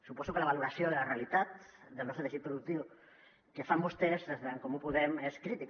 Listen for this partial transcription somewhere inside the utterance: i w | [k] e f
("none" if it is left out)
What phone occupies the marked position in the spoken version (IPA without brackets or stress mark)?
k